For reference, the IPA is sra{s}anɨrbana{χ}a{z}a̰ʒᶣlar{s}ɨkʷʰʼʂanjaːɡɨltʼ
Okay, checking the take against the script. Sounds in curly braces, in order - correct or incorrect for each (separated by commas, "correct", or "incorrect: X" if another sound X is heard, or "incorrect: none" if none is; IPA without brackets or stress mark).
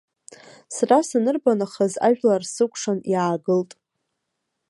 correct, correct, correct, correct